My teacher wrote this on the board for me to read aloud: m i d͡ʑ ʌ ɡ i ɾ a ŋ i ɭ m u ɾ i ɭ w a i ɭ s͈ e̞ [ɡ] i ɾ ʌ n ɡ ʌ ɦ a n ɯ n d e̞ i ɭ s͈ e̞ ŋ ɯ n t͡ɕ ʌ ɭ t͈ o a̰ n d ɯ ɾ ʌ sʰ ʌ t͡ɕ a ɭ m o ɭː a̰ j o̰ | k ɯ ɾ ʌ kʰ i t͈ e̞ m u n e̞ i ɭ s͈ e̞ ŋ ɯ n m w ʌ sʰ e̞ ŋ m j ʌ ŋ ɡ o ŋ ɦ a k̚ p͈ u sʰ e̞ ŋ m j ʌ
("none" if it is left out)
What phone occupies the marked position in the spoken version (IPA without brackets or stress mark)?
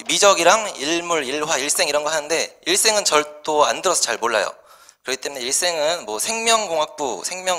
ŋ